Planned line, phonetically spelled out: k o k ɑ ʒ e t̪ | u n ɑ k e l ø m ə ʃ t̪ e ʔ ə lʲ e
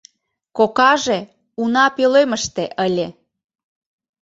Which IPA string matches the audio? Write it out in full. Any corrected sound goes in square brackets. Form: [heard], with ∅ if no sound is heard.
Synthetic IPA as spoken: k o k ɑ ʒ e [∅] | u n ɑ [p] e l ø m ə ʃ t̪ e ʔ ə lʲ e